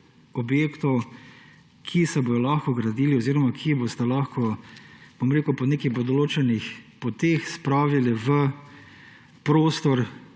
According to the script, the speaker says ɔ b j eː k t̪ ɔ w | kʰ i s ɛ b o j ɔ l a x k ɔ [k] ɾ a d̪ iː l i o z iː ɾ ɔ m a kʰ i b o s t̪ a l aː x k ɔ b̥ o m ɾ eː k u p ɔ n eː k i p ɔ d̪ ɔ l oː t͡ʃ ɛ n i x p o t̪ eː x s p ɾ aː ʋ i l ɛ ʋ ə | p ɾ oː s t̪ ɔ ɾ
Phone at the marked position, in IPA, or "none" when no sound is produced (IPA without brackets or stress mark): ɡ